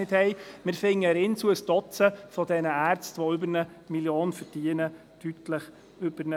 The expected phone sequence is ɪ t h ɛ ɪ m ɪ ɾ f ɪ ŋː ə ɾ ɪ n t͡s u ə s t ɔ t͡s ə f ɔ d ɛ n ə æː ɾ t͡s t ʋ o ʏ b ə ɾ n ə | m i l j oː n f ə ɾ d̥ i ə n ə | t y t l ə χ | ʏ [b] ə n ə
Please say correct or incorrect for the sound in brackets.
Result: correct